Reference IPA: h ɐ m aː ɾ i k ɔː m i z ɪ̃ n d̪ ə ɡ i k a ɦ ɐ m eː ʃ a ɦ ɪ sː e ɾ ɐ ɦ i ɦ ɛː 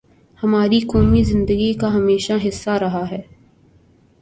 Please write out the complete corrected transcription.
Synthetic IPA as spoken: h ɐ m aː ɾ i k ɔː m i z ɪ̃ n d̪ ə ɡ i k a ɦ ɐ m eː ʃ a ɦ ɪ sː a ɾ ɐ ɦ a ɦ ɛː